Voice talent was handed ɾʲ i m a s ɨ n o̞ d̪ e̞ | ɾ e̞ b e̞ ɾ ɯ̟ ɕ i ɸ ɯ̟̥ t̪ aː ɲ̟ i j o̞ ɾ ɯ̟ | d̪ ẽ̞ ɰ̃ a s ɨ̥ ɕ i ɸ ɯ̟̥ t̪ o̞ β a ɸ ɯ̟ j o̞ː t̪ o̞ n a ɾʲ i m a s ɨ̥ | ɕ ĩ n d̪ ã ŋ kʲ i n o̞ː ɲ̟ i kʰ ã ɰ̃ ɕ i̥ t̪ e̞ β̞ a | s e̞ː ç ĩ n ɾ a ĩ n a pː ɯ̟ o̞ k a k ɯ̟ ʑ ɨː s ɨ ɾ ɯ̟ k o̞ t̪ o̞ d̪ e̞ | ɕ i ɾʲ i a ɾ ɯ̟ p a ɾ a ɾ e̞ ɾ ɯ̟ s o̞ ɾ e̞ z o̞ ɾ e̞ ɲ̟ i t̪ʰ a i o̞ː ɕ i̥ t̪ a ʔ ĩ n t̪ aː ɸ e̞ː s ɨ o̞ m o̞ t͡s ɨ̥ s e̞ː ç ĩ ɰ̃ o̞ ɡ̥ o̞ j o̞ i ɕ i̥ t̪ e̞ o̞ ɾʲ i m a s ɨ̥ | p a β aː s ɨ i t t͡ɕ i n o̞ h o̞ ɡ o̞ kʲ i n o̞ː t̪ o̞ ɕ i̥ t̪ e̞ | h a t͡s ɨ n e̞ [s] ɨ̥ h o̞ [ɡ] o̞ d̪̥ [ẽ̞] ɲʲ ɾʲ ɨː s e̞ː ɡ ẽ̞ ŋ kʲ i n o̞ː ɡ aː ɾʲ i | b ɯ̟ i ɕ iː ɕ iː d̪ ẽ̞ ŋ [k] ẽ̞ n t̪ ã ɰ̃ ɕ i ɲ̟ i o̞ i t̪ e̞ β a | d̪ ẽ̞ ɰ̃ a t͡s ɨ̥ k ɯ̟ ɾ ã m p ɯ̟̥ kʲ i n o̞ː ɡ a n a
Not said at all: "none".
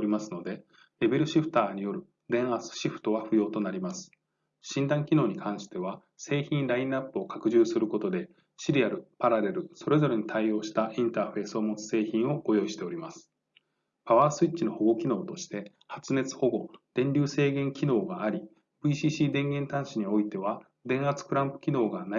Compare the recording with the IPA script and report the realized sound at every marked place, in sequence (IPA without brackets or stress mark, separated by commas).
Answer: t͡s, ɡ, ẽ̞, ɡ